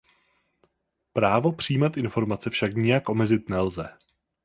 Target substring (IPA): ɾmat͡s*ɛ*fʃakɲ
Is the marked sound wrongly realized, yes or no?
no